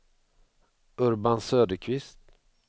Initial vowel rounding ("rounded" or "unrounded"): rounded